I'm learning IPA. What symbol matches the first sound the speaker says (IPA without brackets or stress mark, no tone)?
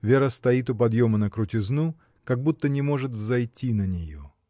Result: vʲ